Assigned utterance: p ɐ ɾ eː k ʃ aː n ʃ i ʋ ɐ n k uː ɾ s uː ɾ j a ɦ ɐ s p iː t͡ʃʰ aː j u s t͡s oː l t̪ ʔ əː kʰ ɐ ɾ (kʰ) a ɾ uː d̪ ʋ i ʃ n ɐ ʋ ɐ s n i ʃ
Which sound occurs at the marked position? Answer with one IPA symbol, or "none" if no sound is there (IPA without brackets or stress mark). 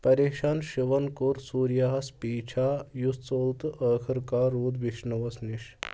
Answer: k